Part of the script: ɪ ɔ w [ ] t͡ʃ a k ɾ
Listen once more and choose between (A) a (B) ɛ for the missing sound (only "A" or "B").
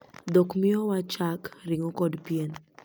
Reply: A